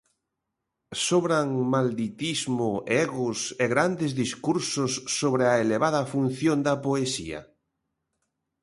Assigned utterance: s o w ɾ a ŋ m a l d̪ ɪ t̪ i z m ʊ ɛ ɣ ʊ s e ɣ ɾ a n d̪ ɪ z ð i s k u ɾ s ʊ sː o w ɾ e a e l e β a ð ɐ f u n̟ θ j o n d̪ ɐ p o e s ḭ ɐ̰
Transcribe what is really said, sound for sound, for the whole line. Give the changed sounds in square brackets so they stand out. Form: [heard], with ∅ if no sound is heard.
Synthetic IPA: s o [β] ɾ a ŋ m a l d̪ [i] t̪ i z m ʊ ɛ ɣ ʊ s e ɣ ɾ a n d̪ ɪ z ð i s k u ɾ s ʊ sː o [β] ɾ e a e l e β a ð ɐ f u n̟ θ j o n d̪ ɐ p o e s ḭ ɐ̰